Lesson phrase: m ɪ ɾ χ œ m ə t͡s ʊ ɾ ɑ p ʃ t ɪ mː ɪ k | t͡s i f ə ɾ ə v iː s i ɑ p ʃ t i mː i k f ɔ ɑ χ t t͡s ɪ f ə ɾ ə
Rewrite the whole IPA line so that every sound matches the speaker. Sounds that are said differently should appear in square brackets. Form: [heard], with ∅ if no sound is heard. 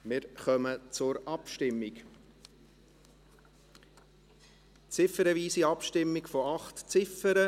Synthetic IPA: m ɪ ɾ χ œ m ə t͡s ʊ ɾ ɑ p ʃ t ɪ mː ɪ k | t͡s [ɪ] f ə ɾ ə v iː s i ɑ p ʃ t [ɪ] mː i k f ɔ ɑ χ t t͡s ɪ f ə ɾ ə